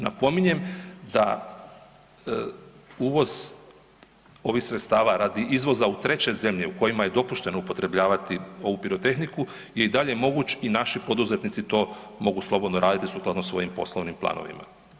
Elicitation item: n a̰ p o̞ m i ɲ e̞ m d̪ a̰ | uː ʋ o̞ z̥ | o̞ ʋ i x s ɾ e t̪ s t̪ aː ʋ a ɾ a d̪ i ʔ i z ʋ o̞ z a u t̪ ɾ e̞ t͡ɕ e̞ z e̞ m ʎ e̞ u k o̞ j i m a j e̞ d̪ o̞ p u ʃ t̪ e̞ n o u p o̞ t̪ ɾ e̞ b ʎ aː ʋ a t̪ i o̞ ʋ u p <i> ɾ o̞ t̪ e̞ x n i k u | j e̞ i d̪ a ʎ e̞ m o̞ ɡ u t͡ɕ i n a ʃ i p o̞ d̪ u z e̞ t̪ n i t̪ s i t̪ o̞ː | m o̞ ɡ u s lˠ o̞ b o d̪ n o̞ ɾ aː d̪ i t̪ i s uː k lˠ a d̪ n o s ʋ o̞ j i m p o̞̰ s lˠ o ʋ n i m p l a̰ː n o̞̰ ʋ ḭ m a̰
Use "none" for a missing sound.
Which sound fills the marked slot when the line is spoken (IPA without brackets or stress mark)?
i